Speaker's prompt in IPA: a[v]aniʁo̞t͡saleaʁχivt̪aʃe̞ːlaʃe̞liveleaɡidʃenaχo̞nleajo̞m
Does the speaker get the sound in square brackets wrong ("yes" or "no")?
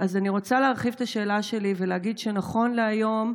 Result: yes